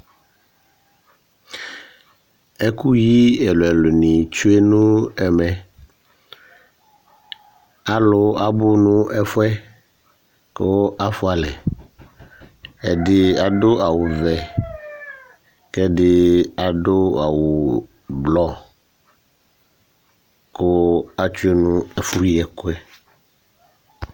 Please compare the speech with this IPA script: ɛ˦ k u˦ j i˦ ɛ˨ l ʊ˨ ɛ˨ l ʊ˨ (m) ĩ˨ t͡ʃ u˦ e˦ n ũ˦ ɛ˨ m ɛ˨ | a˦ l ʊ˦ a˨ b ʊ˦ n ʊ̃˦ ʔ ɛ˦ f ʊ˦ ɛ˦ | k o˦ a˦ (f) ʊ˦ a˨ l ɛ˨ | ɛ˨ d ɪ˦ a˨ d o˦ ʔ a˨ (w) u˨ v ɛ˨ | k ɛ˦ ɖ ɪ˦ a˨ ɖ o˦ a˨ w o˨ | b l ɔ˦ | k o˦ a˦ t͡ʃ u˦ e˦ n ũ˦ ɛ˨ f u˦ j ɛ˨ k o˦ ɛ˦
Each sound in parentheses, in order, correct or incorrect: incorrect: n, correct, correct

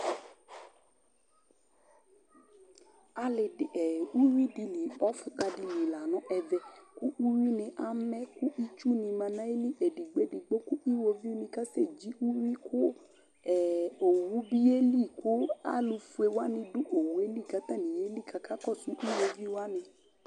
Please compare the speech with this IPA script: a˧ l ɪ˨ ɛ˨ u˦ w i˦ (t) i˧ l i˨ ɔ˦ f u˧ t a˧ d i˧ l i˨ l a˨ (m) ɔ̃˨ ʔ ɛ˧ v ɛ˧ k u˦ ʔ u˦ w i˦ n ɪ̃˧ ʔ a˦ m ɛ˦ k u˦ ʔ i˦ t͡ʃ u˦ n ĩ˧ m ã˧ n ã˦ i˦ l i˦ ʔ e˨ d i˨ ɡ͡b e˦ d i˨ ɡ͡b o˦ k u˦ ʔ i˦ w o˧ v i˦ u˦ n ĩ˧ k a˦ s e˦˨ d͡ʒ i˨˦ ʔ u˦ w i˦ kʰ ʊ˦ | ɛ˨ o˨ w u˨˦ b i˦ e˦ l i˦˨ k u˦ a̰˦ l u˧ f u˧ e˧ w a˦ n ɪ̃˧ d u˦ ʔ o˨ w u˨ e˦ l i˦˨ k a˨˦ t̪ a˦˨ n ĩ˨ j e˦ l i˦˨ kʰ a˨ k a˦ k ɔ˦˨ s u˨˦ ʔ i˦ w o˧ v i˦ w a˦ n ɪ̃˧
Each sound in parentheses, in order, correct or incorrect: incorrect: d, incorrect: n

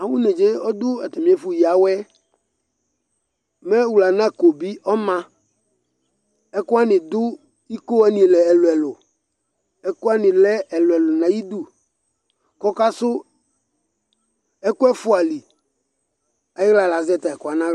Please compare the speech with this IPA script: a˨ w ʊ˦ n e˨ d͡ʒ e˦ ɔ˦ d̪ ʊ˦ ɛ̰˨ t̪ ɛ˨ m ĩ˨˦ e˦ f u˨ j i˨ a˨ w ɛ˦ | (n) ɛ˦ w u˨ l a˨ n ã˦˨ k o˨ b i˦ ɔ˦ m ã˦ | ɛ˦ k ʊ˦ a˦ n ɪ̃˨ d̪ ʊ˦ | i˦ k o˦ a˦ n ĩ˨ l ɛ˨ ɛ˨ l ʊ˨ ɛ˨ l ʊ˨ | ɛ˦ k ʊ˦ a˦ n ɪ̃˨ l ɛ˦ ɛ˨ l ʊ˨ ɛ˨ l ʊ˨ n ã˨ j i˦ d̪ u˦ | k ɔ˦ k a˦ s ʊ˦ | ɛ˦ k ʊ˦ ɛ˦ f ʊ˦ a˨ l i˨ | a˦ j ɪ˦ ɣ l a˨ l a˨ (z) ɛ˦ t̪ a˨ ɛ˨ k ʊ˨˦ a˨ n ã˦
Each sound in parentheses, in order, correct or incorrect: incorrect: m, correct

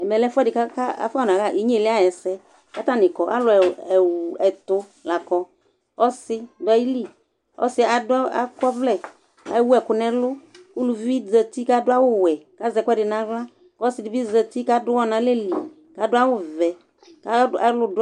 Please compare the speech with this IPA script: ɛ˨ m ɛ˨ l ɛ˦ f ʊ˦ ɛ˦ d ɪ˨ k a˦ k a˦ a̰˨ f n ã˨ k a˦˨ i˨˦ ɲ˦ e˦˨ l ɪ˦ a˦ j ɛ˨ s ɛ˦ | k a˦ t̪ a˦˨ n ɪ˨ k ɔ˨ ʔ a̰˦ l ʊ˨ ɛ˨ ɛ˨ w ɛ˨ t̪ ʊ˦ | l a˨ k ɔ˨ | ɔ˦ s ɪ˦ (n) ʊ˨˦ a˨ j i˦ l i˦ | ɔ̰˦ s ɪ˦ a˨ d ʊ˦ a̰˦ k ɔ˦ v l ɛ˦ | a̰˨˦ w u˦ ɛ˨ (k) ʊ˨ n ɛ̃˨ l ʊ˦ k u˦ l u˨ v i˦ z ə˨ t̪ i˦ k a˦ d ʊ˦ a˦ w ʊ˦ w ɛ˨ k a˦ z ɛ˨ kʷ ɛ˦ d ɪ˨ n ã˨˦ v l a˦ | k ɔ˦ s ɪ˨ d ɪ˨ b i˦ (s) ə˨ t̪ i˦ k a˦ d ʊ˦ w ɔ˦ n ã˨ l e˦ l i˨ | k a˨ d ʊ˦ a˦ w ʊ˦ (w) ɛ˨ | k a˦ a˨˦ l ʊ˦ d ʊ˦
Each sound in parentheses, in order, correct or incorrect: incorrect: d, correct, incorrect: z, incorrect: v

